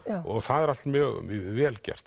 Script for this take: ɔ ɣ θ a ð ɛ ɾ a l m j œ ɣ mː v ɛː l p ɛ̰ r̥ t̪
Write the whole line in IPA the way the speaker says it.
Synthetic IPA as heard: ɔ ɣ θ a ð ɛ ɾ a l m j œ ɣ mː v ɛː l c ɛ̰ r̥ t̪